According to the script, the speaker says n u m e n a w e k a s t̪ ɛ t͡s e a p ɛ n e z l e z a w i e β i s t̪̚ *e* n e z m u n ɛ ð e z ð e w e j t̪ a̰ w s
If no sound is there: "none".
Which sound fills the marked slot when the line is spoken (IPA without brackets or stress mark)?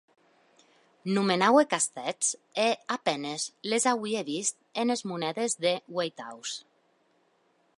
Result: e